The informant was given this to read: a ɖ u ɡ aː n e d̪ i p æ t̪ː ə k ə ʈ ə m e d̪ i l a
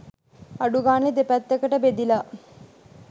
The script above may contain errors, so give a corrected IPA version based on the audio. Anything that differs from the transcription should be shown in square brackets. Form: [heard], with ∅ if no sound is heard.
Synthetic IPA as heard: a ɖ u ɡ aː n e d̪ [e] p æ t̪ː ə k ə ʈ ə [b] e d̪ i l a